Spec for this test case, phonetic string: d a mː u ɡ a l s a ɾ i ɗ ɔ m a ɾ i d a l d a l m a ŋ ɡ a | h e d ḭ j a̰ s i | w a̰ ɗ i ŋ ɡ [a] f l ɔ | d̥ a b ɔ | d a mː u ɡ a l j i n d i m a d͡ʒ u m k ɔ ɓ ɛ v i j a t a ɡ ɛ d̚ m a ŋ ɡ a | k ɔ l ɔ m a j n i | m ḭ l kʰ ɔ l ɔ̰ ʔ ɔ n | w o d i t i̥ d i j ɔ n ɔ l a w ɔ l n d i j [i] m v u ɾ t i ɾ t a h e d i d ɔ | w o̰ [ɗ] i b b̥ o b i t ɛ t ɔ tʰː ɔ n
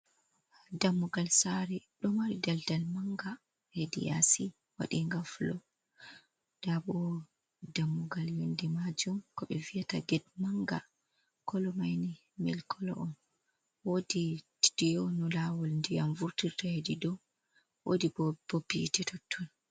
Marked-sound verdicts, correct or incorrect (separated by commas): correct, incorrect, incorrect